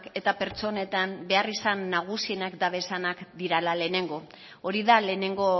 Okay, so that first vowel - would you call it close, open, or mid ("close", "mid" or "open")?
mid